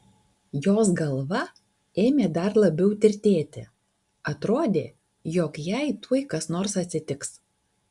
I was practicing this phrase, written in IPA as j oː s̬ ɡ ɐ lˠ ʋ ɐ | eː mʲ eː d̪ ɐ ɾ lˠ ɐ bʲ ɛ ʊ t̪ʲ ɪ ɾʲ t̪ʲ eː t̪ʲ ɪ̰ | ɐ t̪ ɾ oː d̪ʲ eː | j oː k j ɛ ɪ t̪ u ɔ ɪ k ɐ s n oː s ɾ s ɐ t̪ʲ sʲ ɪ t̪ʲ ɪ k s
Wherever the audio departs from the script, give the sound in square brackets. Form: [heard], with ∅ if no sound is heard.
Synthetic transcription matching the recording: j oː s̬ ɡ ɐ lˠ ʋ ɐ | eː mʲ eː d̪ ɐ ɾ lˠ ɐ bʲ ɛ ʊ t̪ʲ ɪ ɾʲ t̪ʲ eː t̪ʲ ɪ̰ | ɐ t̪ ɾ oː d̪ʲ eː | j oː k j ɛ ɪ t̪ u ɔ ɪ k ɐ s n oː [∅] ɾ s ɐ t̪ʲ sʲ ɪ t̪ʲ ɪ k s